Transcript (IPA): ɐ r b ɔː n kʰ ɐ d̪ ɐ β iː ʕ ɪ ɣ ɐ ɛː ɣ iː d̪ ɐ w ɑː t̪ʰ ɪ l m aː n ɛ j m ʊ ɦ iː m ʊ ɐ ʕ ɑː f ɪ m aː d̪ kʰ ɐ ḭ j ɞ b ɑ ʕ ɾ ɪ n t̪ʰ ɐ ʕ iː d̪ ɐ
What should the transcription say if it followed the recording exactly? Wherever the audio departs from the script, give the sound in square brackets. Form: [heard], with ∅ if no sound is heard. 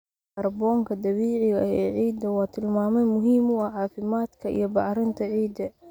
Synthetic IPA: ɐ r b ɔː [ŋ] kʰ ɐ d̪ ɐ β iː ʕ ɪ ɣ ɐ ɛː [ʕ] iː d̪ ɐ w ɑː t̪ʰ ɪ l m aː [m] ɛ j m ʊ ɦ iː m ʊ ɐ ʕ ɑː f ɪ m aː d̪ kʰ ɐ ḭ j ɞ b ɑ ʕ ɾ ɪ n t̪ʰ ɐ ʕ iː d̪ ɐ